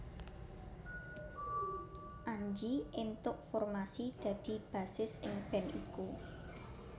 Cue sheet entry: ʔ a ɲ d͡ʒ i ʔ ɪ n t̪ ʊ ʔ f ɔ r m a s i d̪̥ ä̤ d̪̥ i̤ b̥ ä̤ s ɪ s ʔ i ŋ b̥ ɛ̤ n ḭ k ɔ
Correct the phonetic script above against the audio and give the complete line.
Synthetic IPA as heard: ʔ a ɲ d͡ʒ i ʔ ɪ n t̪ ʊ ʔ f ɔ r m a s i d̪̥ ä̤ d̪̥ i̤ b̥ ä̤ s ɪ s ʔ ɪ ŋ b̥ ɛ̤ n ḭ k u